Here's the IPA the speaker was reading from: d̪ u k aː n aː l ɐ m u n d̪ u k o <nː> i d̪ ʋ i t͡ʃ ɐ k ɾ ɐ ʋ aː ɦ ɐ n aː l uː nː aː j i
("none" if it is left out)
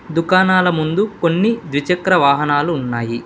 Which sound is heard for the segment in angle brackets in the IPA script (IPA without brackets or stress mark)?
nː